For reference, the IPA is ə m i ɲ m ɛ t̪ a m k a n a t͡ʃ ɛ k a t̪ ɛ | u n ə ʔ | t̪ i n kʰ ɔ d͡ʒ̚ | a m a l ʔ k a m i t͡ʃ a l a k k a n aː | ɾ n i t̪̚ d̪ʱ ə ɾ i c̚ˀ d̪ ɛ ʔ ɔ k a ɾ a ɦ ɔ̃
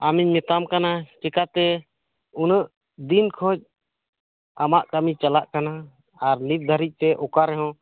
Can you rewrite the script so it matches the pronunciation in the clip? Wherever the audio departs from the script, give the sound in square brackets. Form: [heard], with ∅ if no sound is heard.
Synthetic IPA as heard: [a] m i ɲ m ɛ t̪ a m k a n a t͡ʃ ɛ k a t̪ ɛ | u n ə ʔ | [d̪] i n kʰ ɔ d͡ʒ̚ | a m a [∅] ʔ k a m i t͡ʃ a l a [ʔ] k a n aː | ɾ n i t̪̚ d̪ʱ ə ɾ i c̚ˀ [t̪] ɛ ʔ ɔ k a ɾ [ɛ] ɦ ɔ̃